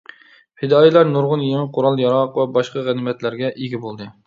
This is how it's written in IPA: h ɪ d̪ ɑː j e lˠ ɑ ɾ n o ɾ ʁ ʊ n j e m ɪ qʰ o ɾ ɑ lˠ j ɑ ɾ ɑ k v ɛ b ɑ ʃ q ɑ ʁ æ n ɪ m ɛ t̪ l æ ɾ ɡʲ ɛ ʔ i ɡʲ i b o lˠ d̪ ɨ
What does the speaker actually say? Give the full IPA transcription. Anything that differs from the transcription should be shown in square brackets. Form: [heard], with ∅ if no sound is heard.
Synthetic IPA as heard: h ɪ d̪ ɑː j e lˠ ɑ ɾ n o ɾ ʁ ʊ n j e m ɪ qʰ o ɾ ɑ lˠ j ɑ ɾ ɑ [q] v ɛ b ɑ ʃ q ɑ ʁ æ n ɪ m ɛ t̪ l æ ɾ ɡʲ ɛ ʔ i ɡʲ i b o lˠ d̪ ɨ